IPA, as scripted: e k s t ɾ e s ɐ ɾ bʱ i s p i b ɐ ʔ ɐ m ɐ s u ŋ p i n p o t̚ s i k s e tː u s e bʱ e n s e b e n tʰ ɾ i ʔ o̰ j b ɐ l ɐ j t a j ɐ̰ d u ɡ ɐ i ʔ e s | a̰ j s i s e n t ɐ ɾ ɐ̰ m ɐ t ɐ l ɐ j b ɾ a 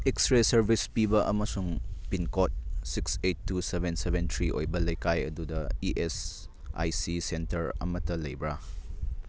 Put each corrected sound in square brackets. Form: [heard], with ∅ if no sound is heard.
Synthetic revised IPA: e k s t ɾ e s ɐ ɾ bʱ i s p i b ɐ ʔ ɐ m ɐ s u ŋ p i n [k] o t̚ s i k s e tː u s e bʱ e n s e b e n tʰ ɾ i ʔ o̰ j b ɐ l ɐ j [k] a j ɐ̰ d u [d] ɐ i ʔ e s | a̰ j s i s e n t ɐ ɾ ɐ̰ m ɐ t ɐ l ɐ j b ɾ a

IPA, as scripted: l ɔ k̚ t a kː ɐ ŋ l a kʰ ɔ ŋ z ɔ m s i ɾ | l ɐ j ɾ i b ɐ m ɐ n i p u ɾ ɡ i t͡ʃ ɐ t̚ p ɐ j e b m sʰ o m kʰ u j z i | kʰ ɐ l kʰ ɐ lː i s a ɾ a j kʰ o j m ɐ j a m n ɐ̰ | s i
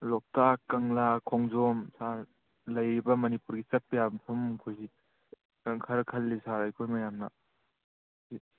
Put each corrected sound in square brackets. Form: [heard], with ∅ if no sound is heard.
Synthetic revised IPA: l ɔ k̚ t a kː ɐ ŋ l a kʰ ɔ ŋ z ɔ m s [a] ɾ | l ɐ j ɾ i b ɐ m ɐ n i p u ɾ ɡ i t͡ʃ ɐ t̚ p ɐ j [a] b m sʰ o m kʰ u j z i | kʰ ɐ [ɾ] kʰ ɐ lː i s a ɾ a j kʰ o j m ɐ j a m n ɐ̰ | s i

